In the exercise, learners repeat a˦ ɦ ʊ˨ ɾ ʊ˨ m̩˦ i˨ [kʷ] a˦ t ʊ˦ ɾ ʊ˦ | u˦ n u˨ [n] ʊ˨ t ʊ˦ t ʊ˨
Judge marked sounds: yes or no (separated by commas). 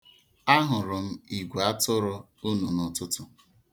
no, yes